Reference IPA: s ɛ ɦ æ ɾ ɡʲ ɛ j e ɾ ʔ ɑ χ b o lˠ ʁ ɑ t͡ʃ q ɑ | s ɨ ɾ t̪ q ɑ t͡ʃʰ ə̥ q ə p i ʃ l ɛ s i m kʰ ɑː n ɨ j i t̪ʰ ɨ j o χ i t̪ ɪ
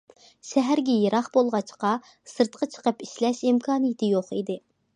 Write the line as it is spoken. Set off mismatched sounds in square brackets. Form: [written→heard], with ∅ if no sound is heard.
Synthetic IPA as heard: [s→ʃ] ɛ ɦ æ ɾ ɡʲ ɛ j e ɾ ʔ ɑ χ b o lˠ ʁ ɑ t͡ʃ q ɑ | s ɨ ɾ t̪ q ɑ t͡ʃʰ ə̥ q ə p i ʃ l ɛ [s→ʃ] i m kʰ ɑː n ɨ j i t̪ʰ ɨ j o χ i [t̪→d̪] ɪ